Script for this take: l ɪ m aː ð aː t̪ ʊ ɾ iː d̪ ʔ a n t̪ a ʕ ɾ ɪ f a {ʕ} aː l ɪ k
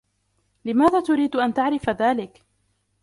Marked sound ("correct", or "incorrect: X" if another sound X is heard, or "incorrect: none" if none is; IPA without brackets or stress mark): incorrect: ð